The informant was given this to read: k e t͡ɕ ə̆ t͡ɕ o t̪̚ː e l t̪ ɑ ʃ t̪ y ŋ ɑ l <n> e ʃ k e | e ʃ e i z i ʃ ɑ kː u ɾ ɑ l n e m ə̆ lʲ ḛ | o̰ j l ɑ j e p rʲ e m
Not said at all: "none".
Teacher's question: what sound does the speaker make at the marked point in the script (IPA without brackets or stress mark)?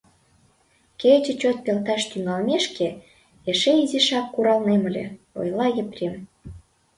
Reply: m